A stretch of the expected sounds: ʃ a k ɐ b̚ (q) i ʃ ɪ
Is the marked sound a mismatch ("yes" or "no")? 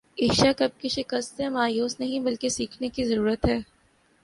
yes